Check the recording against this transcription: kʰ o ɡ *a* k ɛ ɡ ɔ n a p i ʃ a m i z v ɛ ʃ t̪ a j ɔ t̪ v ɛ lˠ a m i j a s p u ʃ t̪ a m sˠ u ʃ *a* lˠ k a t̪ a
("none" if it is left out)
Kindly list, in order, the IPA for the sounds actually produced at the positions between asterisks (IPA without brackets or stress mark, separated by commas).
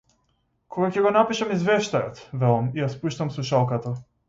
a, a